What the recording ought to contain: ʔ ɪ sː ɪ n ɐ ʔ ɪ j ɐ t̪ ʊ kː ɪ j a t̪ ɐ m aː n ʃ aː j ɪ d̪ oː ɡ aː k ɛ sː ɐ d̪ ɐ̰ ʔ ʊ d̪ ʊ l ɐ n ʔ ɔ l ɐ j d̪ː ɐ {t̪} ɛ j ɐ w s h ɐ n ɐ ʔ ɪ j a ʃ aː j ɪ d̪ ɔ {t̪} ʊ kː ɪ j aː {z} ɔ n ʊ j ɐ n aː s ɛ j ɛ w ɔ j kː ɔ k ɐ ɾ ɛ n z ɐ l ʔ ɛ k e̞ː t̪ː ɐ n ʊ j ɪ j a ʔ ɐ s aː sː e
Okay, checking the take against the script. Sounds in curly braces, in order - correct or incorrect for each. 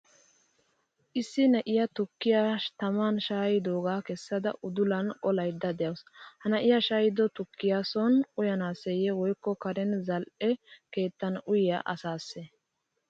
incorrect: d̪, correct, incorrect: s

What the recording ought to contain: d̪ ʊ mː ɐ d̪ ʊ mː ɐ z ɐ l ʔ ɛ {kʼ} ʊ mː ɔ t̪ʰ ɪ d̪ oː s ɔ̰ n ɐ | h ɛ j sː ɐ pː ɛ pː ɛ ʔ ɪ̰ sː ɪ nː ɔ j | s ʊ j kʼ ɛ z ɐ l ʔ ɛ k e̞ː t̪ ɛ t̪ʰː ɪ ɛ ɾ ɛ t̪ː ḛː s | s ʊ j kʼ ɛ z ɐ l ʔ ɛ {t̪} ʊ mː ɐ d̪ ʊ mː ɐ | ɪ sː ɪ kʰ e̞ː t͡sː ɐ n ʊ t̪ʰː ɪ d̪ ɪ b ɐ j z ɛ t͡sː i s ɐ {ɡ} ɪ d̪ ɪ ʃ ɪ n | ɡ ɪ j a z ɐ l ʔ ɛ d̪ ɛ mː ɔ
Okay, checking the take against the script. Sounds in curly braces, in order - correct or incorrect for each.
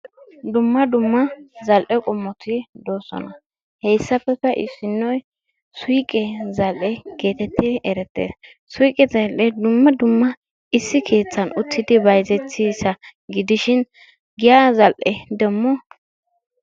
correct, incorrect: d̪, correct

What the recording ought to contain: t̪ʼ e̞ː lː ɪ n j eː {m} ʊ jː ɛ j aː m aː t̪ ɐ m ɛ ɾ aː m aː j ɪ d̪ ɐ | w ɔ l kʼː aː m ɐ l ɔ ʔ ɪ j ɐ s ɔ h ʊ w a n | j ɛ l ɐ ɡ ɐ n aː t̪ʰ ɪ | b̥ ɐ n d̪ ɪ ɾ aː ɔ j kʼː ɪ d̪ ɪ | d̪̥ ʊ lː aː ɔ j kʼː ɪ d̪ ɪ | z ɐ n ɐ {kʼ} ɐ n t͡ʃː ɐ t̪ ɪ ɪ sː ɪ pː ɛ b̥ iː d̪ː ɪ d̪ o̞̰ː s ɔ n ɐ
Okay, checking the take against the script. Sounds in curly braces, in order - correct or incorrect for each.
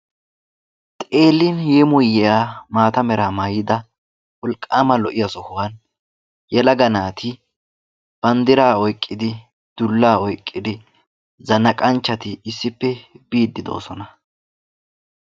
correct, correct

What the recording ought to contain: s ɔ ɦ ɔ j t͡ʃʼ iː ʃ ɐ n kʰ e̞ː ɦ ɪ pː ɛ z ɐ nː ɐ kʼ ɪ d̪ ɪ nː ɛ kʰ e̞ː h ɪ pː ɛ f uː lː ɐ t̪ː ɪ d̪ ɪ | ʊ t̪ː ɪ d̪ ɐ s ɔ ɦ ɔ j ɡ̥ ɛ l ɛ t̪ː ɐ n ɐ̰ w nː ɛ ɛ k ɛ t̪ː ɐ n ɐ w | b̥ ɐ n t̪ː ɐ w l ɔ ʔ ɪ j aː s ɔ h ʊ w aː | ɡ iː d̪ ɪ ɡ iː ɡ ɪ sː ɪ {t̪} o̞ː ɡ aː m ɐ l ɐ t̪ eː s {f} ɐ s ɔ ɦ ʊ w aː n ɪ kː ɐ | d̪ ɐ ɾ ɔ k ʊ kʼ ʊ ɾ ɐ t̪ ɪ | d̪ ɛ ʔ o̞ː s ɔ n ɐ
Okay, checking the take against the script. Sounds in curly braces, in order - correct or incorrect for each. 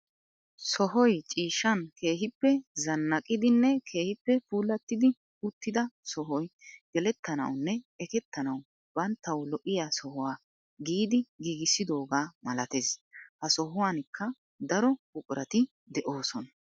incorrect: d̪, incorrect: h

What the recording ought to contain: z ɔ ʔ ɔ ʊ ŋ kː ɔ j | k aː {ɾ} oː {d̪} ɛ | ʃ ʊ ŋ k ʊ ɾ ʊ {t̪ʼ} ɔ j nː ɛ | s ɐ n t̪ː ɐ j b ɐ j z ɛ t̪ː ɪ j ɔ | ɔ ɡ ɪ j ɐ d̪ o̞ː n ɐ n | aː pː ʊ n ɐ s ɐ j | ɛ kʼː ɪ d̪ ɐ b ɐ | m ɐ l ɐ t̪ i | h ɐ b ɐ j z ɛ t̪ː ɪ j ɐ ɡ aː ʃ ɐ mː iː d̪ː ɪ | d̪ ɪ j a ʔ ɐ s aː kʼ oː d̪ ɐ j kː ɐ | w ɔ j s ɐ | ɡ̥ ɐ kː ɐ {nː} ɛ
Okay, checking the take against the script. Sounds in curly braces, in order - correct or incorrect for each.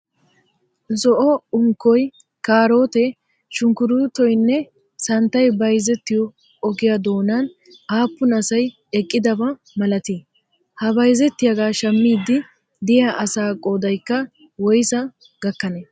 correct, incorrect: t̪, incorrect: t̪, incorrect: n

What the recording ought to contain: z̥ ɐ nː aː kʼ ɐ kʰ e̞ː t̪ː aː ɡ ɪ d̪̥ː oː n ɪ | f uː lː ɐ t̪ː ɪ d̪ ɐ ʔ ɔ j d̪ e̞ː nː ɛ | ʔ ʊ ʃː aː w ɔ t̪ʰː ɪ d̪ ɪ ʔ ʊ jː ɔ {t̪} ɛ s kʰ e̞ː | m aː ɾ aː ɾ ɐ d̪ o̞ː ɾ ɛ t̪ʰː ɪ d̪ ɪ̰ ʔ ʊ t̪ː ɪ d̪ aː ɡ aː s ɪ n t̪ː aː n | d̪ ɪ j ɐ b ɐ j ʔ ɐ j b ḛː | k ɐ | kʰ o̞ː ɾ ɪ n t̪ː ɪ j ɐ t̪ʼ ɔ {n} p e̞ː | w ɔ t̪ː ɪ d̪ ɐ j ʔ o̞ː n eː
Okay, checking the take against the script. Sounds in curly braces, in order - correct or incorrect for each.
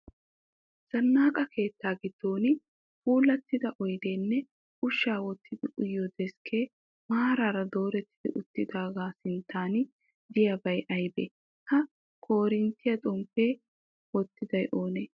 incorrect: d̪, incorrect: m

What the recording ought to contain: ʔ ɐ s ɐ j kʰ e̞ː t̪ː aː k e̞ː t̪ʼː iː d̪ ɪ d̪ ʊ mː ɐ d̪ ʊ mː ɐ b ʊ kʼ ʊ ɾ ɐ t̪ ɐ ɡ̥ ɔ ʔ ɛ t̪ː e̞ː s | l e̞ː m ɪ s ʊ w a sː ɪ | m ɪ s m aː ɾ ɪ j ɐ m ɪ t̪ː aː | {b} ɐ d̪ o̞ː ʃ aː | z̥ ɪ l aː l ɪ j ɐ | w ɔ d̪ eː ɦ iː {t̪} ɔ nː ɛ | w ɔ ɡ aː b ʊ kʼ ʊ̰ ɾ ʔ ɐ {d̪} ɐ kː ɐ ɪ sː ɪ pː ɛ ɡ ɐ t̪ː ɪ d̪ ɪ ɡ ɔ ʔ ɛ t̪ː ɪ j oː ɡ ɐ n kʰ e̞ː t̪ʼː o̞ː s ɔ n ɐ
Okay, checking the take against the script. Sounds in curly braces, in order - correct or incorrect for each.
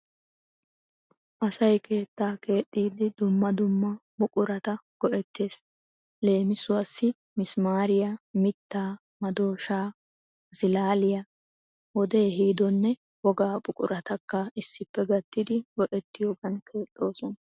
incorrect: m, incorrect: d̪, incorrect: t̪

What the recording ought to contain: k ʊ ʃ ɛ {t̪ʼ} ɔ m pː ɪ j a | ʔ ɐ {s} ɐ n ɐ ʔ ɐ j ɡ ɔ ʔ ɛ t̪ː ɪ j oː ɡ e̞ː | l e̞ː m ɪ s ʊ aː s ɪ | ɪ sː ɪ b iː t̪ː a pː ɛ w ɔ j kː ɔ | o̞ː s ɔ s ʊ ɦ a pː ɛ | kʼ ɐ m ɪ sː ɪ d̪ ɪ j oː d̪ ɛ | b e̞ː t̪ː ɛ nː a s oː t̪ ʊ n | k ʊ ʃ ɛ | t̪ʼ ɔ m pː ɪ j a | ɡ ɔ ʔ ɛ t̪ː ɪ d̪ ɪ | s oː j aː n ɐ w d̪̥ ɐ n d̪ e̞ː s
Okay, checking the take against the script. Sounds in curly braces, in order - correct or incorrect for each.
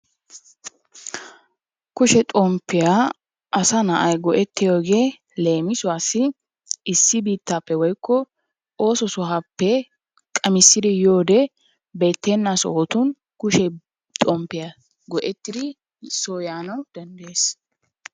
correct, correct

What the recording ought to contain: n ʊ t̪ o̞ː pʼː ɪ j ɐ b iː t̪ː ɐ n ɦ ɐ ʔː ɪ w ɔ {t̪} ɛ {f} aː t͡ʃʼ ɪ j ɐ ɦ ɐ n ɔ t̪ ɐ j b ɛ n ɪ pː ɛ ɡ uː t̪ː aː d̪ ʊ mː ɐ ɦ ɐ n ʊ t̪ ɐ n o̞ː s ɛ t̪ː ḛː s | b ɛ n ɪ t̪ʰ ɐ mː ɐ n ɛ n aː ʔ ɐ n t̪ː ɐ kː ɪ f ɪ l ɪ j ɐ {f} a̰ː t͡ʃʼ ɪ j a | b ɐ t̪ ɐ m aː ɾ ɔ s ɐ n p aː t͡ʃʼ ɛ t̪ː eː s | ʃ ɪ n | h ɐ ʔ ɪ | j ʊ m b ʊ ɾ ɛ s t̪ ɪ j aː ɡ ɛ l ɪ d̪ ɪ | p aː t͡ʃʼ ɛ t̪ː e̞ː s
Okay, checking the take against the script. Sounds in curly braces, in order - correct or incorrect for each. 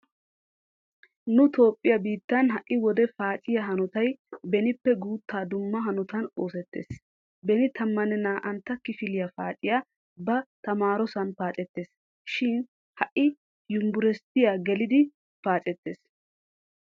incorrect: d̪, correct, correct

